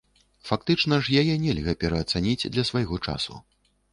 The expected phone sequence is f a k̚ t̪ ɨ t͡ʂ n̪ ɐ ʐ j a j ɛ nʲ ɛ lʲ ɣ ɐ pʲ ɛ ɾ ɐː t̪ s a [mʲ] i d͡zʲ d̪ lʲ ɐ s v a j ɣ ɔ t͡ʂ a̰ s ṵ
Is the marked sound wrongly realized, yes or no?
yes